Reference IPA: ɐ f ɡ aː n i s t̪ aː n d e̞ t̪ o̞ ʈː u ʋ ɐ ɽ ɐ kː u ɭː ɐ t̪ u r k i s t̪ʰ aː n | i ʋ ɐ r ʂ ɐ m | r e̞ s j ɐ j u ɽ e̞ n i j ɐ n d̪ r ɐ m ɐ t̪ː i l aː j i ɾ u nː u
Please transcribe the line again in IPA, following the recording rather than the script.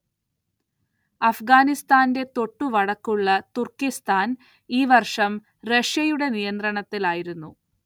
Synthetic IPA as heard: ɐ f ɡ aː n i s t̪ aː n d e̞ t̪ o̞ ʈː u ʋ ɐ ɽ ɐ kː u ɭː ɐ t̪ u r k i s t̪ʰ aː n | iː ʋ ɐ r ʂ ɐ m | r e̞ ʂ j ɐ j u ɽ e̞ n i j ɐ n d̪ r ɐ ɳ ɐ t̪ː i l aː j i ɾ u nː u